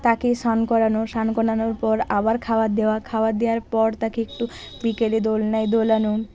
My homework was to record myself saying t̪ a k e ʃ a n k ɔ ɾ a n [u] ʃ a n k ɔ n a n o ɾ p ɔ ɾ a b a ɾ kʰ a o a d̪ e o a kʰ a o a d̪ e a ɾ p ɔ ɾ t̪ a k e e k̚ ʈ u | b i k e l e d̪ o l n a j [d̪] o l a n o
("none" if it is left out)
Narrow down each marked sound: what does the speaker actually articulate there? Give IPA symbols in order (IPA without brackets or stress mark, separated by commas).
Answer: o, d̪